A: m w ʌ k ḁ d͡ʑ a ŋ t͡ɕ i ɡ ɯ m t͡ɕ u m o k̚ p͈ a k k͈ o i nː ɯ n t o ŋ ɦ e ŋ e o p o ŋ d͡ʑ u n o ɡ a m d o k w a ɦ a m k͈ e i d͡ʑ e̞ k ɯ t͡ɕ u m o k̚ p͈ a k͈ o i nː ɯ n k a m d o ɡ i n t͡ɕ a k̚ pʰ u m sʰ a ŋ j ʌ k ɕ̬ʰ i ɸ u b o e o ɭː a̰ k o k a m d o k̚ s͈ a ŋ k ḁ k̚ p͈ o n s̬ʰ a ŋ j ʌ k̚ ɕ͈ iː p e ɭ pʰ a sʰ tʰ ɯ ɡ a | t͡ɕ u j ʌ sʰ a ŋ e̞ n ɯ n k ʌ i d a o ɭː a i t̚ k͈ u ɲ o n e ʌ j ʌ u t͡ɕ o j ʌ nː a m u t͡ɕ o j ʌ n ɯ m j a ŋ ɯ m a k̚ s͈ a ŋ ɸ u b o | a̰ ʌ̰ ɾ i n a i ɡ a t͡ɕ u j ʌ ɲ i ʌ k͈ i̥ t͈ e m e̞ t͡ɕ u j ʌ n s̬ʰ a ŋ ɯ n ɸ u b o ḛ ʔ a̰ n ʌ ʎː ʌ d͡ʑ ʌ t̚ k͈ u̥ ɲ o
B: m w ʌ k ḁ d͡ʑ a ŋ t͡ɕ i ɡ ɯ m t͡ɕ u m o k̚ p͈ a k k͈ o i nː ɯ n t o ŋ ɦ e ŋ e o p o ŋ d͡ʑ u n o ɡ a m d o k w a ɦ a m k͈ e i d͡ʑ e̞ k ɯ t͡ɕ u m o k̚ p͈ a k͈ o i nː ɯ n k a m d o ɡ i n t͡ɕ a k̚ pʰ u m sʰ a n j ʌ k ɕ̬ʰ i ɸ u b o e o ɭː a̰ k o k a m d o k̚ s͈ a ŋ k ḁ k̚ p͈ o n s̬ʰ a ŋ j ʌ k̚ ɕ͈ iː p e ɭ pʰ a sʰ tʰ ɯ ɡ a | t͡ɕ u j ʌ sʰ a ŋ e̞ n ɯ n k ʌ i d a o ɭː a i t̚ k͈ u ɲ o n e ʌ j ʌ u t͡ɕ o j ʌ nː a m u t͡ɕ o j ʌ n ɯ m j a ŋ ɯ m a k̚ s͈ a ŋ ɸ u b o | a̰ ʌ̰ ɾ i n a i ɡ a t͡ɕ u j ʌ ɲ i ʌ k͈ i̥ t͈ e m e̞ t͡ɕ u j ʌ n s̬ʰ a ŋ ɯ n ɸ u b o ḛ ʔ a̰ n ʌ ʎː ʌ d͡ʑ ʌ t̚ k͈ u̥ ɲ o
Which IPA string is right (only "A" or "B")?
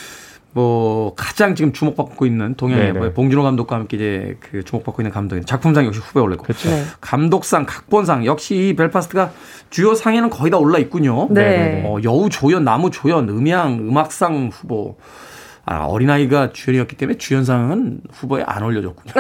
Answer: A